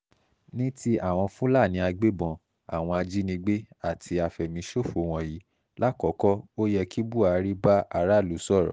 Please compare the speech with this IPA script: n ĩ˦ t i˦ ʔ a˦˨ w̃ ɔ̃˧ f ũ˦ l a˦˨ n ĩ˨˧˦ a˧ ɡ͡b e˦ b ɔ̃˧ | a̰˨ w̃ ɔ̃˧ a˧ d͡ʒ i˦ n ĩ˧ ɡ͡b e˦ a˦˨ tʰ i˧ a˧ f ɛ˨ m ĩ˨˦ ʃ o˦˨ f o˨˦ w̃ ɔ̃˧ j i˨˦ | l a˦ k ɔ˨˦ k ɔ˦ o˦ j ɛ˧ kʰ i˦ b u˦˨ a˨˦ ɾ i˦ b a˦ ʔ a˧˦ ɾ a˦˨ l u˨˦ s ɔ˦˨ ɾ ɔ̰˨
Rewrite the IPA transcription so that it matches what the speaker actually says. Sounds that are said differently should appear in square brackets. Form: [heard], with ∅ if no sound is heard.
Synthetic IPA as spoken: n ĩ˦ t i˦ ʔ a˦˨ w̃ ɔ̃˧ f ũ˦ l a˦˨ n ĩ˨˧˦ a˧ ɡ͡b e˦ b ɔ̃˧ | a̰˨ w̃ ɔ̃˧ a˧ d͡ʒ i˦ n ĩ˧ ɡ͡b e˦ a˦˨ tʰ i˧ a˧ f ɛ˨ m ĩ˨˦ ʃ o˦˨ f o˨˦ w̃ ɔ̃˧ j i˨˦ | l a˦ k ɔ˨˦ k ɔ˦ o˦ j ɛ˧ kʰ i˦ b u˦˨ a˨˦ ɾ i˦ b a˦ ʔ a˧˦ ɾ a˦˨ l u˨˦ s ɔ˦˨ ɾ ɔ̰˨